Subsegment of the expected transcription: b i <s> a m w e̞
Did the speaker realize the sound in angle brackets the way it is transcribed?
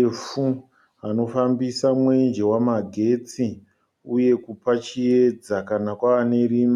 yes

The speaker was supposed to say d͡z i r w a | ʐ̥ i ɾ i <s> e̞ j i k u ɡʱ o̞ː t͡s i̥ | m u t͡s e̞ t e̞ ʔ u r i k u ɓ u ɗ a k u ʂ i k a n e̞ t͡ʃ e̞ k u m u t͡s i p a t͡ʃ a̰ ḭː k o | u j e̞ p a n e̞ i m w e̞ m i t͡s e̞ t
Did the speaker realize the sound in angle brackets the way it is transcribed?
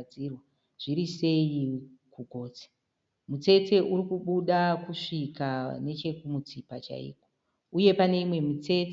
yes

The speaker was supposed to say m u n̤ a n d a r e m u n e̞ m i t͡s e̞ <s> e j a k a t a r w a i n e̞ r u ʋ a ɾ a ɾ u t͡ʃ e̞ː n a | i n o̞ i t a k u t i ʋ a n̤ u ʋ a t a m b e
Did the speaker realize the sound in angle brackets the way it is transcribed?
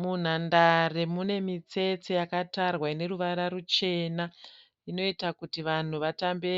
no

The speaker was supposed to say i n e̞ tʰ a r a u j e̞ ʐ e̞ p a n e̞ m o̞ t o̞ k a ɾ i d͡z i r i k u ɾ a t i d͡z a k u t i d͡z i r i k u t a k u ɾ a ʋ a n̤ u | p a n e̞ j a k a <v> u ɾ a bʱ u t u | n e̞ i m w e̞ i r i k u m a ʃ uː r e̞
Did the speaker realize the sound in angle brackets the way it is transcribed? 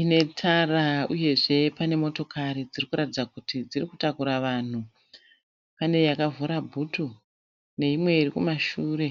yes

